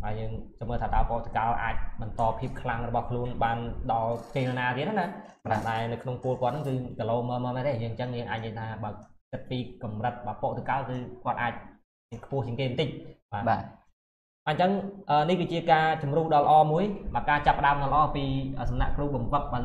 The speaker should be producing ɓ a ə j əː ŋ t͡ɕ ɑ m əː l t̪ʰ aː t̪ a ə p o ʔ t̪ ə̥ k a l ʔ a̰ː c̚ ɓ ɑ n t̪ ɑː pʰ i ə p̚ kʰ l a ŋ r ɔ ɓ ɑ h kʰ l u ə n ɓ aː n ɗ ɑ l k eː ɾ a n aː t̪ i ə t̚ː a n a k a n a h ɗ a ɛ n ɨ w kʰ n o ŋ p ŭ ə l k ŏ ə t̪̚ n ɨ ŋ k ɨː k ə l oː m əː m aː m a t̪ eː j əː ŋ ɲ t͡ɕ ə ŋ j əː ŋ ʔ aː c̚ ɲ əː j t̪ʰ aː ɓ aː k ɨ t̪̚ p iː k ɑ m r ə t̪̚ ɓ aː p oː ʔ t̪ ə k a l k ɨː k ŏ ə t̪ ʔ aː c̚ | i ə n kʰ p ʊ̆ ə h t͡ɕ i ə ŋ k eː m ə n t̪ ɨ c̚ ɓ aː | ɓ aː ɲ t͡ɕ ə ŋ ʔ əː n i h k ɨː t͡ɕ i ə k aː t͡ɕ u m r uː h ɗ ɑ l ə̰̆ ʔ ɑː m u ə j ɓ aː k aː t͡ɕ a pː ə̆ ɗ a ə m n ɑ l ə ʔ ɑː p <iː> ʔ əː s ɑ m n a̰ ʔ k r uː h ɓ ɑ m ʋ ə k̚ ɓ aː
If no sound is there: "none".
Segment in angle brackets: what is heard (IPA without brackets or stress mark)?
iː